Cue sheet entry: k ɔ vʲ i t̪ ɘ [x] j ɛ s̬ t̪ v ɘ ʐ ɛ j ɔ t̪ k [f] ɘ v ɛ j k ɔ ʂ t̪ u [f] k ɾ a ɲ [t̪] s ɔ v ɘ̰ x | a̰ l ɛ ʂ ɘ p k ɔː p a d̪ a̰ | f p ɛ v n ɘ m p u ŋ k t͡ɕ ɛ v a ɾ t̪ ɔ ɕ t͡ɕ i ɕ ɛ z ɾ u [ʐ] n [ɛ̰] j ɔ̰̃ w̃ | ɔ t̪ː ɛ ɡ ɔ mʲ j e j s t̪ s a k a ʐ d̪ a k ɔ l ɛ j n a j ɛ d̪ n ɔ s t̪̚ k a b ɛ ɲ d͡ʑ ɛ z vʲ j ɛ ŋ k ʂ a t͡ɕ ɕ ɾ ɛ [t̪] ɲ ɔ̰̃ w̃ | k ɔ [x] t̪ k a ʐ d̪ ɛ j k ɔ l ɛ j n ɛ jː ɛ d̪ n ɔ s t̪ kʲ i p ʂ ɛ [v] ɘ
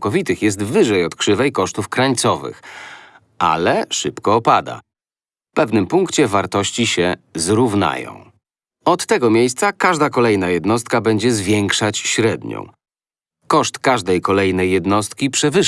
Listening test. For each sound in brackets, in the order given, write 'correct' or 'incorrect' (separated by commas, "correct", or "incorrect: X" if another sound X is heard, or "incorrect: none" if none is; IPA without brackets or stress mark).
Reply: correct, incorrect: ʂ, correct, correct, incorrect: v, incorrect: a̰, incorrect: d̪, incorrect: ʂ, correct